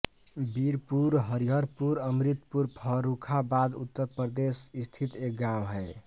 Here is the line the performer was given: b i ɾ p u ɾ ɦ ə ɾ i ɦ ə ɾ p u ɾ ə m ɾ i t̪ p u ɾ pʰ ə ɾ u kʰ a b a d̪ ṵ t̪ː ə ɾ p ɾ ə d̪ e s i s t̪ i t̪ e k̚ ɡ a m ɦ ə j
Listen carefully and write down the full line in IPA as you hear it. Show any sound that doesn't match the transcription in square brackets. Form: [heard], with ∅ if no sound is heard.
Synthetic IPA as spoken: b i ɾ p u ɾ ɦ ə ɾ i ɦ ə ɾ p u ɾ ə m ɾ i t̪ p u ɾ pʰ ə ɾ u kʰ a b a d̪ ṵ t̪ː ə ɾ p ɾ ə d̪ e s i s [t̪ʰ] i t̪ e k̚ ɡ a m ɦ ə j